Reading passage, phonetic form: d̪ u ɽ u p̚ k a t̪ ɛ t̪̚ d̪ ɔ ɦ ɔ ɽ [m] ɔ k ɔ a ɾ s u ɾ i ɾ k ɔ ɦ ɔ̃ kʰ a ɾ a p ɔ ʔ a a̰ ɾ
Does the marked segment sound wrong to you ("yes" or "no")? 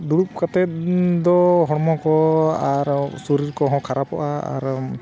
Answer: no